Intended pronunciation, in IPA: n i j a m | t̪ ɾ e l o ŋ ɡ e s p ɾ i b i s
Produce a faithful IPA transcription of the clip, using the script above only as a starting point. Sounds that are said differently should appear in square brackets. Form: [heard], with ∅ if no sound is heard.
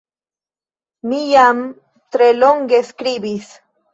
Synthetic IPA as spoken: [m] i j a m | t̪ ɾ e l o ŋ ɡ e s [k] ɾ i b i s